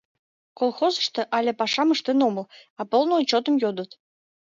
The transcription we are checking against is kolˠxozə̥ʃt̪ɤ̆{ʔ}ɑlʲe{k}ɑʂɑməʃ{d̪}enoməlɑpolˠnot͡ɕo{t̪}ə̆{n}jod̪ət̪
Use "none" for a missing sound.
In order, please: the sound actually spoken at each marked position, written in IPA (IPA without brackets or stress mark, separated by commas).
ʔ, p, t̪, t̪, m